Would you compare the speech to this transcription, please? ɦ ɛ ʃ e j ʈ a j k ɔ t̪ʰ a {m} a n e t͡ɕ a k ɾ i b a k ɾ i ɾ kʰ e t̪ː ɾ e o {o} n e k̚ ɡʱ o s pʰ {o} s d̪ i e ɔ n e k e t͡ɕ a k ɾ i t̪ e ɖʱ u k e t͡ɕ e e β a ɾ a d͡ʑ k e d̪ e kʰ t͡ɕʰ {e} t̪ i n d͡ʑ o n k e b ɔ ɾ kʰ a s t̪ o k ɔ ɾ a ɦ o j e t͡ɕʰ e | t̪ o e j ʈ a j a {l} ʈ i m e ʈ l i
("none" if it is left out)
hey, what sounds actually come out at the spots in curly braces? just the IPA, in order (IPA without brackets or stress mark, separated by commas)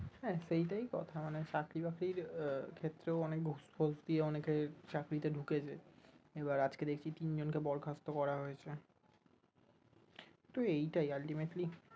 m, ɔ, o, i, l